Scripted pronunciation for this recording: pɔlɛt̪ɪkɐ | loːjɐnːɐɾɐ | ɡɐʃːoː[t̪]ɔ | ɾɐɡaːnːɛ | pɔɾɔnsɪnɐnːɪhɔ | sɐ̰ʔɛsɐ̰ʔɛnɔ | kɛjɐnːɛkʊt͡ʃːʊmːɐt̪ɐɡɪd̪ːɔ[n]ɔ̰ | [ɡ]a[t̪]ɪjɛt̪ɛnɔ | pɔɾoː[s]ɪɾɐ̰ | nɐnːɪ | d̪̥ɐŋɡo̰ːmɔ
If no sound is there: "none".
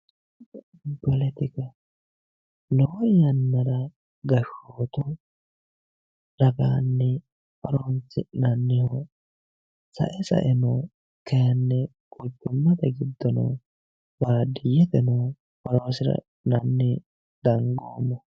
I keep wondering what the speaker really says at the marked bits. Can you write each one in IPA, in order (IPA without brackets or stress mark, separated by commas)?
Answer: t̪, n, b, d̪, s